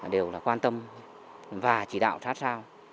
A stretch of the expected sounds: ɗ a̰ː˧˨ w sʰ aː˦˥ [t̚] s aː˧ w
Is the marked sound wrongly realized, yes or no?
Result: no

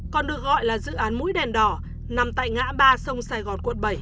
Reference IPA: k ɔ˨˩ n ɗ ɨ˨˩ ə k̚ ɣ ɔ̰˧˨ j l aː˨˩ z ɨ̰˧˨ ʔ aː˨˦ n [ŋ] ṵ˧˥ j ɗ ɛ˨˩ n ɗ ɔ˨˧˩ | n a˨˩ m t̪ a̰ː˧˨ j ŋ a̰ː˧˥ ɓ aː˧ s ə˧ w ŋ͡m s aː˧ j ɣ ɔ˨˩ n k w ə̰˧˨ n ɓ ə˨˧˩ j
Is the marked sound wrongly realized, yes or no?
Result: yes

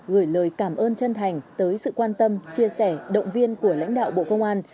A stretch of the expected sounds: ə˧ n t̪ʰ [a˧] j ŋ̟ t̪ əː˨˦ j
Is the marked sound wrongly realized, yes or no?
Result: yes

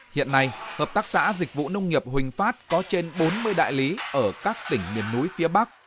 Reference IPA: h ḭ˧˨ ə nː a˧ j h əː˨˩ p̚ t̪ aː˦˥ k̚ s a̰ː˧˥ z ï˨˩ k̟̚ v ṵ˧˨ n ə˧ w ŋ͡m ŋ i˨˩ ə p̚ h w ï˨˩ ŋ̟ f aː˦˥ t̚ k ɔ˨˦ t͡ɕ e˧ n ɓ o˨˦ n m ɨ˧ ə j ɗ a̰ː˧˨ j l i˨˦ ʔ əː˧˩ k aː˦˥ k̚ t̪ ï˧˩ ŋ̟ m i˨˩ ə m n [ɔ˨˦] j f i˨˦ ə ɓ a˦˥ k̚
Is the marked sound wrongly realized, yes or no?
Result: yes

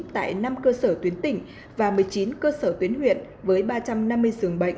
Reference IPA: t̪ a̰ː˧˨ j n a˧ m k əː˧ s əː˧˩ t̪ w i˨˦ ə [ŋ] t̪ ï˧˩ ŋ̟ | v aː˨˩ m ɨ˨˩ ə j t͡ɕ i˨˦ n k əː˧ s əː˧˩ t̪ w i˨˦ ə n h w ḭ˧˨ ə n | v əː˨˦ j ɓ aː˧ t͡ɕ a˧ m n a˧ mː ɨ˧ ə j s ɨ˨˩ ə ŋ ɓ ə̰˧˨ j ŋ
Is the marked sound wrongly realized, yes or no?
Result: yes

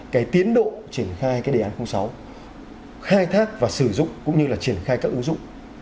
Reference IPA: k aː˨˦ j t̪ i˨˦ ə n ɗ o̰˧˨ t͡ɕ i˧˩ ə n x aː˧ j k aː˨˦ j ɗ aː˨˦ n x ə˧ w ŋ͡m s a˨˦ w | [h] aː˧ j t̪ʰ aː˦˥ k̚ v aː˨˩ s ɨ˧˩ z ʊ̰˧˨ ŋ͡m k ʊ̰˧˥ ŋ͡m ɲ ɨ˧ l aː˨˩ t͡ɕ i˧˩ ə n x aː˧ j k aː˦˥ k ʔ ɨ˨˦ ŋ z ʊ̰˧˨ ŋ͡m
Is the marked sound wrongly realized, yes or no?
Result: yes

